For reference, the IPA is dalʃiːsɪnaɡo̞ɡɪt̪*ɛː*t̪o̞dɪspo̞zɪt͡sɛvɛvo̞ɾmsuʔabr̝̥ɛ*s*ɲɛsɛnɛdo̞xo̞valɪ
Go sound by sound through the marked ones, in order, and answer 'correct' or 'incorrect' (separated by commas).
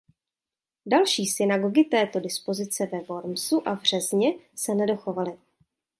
correct, incorrect